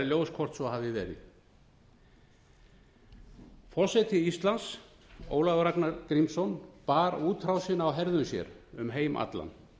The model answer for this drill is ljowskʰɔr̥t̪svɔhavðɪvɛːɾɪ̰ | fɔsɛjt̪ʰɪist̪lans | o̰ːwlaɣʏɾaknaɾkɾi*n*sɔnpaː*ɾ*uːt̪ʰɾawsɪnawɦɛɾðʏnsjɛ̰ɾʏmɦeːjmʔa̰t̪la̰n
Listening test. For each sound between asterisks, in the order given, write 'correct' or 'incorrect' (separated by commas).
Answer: incorrect, correct